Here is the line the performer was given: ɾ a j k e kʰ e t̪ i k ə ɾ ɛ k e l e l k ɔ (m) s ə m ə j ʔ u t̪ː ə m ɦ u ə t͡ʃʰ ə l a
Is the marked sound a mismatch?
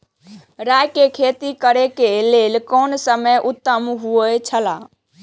yes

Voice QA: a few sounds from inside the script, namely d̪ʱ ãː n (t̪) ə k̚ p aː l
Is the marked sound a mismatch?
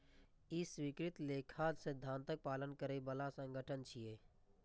no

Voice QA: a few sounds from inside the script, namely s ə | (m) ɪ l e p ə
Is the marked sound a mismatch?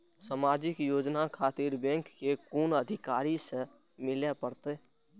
no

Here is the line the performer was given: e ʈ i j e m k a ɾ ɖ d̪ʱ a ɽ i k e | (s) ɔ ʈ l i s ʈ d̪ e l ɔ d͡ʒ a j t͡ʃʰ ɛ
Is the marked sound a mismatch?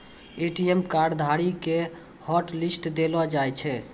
yes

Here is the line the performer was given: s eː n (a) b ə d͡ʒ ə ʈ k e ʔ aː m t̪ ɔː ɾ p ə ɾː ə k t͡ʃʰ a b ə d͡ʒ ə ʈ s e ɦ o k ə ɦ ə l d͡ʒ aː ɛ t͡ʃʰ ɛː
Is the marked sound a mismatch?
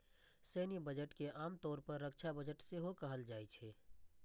yes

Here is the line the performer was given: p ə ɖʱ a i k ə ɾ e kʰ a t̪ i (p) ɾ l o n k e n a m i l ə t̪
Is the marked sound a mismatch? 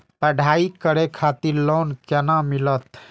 yes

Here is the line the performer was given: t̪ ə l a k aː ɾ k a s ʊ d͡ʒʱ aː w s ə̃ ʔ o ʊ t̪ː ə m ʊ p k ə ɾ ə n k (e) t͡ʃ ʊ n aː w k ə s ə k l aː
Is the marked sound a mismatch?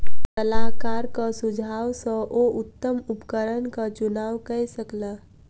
yes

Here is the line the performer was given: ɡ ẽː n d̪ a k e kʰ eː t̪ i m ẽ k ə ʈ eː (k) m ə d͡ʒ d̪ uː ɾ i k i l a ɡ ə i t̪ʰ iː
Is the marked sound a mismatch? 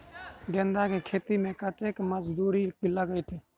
no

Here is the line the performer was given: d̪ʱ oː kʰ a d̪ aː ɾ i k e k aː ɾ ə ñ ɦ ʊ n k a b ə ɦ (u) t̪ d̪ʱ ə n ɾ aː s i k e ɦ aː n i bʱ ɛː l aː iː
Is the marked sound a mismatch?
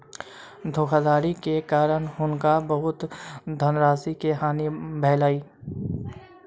yes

